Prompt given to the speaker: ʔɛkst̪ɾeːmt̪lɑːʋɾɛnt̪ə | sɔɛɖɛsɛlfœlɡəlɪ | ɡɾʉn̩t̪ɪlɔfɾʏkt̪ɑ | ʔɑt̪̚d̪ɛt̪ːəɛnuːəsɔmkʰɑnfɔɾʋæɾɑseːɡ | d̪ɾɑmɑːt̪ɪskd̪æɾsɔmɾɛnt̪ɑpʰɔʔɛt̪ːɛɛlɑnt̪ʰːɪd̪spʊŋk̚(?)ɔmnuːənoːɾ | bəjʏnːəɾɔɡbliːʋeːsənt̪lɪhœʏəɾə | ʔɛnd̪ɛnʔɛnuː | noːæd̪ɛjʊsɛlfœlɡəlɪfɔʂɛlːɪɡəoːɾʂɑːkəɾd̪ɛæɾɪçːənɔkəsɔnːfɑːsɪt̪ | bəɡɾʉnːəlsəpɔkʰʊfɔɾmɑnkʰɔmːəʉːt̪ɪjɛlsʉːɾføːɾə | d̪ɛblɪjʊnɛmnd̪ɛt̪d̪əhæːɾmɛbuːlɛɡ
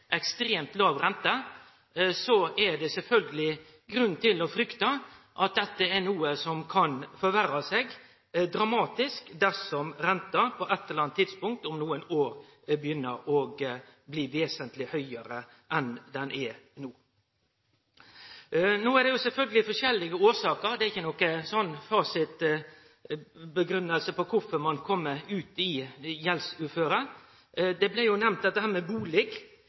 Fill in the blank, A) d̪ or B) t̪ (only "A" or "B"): B